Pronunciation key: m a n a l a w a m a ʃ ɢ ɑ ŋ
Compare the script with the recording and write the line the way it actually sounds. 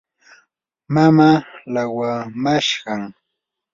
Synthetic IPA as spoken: m a m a l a w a m a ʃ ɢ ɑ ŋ